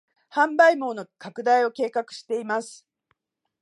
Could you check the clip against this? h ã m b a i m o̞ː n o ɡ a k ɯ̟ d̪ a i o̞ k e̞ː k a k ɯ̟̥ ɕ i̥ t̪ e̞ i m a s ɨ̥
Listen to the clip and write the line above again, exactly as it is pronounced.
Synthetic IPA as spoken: h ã m b a i m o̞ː n o k a k ɯ̟ d̪ a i o̞ k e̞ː k a k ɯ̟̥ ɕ i̥ t̪ e̞ i m a s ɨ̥